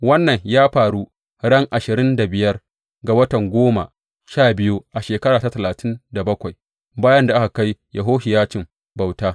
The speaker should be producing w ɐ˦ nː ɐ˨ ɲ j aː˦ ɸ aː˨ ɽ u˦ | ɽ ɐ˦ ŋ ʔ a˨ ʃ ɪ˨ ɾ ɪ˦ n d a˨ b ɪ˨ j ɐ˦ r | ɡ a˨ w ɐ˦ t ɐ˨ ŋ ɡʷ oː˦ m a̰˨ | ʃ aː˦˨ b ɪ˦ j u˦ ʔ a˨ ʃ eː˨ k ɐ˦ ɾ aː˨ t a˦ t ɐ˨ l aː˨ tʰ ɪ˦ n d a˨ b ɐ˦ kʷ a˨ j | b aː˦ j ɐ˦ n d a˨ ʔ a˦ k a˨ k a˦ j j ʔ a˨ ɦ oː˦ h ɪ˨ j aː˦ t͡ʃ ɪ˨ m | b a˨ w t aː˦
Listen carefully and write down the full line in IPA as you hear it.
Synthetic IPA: w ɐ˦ nː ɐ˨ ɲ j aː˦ ɸ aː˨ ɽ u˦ | ɽ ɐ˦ ŋ ʔ a˨ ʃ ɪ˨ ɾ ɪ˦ n d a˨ b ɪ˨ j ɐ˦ r | ɡ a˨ w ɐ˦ t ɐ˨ ŋ ɡʷ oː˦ m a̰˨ | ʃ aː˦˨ b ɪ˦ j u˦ ʔ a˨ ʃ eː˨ k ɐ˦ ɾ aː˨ t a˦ t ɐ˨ l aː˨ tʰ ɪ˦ n d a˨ b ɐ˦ kʷ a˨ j | b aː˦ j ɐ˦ n d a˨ ʔ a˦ k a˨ k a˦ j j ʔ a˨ ɦ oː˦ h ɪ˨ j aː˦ t͡ʃ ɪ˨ m | b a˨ w t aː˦